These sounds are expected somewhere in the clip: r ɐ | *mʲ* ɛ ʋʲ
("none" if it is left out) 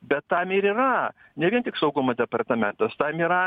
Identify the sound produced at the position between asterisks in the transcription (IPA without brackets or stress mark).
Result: nʲ